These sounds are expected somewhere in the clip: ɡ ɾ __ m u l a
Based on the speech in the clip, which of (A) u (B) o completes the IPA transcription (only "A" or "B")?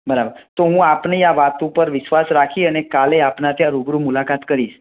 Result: A